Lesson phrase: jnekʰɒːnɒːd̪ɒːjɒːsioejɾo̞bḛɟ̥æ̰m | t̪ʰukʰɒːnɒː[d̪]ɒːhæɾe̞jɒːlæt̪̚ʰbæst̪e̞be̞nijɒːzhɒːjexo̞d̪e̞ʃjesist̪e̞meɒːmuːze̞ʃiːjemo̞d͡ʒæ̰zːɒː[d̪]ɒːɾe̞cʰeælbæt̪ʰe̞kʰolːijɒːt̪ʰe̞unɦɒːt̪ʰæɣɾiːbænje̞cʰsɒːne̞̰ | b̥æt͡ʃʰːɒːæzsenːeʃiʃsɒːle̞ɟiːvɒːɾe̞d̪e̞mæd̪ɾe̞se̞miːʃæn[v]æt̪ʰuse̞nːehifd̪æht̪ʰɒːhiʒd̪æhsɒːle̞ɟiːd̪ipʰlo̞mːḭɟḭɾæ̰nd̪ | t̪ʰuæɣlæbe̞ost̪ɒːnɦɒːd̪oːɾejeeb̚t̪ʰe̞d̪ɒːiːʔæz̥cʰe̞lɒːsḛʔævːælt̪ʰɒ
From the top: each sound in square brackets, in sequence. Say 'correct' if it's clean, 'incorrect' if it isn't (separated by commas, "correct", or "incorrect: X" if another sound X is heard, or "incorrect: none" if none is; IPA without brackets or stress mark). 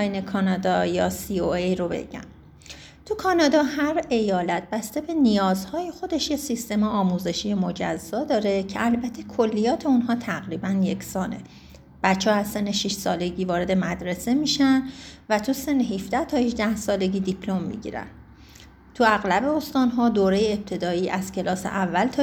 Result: correct, correct, correct